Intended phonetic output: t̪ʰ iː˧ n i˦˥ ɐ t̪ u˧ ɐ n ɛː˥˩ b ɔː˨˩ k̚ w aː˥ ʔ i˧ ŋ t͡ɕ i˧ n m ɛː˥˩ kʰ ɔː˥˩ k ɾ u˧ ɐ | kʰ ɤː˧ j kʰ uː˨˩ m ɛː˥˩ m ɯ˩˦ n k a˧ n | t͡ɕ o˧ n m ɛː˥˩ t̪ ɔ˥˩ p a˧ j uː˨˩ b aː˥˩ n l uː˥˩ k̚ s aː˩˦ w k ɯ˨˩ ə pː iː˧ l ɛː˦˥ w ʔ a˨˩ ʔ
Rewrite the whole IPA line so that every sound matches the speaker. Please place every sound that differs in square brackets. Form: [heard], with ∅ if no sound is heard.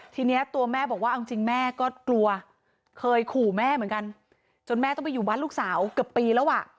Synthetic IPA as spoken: t̪ʰ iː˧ n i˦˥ ɐ t̪ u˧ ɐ [m] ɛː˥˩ b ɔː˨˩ k̚ w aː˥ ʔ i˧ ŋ t͡ɕ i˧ [ŋ] m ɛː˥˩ [k] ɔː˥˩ k [l] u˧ ɐ | kʰ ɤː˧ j kʰ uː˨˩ m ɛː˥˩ m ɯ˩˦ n k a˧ n | t͡ɕ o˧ n m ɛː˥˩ t̪ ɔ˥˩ p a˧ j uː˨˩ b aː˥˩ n l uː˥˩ k̚ s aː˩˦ w k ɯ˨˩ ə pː iː˧ l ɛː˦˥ w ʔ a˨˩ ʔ